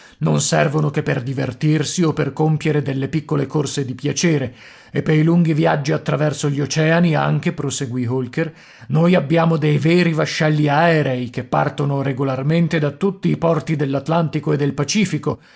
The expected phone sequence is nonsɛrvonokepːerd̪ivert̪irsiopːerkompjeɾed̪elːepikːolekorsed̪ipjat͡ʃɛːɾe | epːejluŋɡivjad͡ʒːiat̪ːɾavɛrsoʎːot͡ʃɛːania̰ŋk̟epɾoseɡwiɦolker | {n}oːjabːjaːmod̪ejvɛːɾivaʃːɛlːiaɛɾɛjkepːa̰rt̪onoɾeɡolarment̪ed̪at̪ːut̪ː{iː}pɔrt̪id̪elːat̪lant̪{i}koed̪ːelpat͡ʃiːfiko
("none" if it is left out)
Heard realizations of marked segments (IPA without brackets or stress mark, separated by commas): n, iː, i